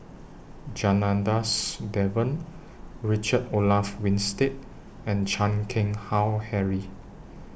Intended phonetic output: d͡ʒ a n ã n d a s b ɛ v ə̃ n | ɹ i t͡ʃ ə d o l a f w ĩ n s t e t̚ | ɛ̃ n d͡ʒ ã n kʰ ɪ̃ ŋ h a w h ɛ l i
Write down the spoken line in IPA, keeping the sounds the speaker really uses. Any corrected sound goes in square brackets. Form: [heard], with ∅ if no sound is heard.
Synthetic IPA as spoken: d͡ʒ a n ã n d a s [d] ɛ v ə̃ n | ɹ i t͡ʃ ə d o l a f w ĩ n s t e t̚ | ɛ̃ n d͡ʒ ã n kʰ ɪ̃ ŋ h a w h ɛ [ɹ] i